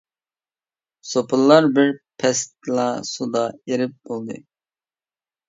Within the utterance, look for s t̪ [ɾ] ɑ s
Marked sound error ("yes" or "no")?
yes